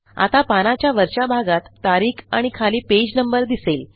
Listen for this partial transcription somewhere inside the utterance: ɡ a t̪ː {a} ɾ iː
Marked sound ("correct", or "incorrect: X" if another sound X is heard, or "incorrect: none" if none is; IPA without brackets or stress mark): correct